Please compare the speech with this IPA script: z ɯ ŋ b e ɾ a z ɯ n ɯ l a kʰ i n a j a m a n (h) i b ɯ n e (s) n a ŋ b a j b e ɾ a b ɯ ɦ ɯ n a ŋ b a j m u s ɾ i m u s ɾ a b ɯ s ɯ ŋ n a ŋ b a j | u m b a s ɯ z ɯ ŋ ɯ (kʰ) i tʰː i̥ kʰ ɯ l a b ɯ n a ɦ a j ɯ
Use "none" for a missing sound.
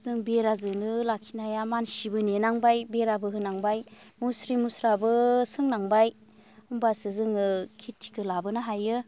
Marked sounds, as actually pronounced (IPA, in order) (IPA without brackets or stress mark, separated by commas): s, none, kʰ